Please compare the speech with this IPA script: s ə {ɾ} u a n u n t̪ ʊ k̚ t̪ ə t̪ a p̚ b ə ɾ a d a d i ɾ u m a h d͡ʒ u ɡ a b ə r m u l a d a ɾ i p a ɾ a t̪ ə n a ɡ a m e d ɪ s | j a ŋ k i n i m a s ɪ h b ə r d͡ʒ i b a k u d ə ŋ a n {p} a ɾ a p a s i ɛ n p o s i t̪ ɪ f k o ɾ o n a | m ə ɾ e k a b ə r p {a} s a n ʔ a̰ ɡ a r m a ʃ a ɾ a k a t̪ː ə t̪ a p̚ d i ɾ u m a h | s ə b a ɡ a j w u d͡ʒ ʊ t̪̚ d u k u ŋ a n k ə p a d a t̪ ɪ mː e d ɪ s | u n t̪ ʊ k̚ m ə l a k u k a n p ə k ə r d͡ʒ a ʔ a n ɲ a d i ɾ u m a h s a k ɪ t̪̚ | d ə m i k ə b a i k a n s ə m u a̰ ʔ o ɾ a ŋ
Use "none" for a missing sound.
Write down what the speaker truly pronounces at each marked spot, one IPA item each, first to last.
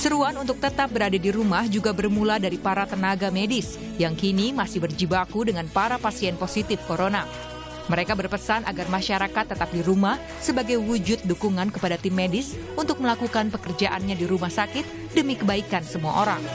ɾ, p, ə

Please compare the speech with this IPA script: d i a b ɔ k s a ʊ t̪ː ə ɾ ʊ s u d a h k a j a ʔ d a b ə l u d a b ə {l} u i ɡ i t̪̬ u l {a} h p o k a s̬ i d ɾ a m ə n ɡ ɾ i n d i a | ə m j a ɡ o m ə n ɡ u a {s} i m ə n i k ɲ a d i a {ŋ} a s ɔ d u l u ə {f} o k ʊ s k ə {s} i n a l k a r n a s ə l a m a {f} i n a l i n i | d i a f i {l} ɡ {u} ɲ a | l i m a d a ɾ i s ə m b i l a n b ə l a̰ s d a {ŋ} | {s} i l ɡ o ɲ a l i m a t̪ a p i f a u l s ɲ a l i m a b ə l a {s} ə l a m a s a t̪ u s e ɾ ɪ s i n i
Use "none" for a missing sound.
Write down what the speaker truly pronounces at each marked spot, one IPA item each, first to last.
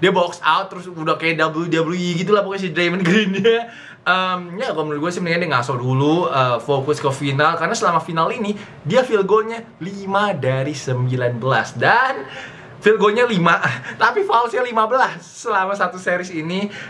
l, a, s, ŋ, f, f, f, l, o, n, f, sː

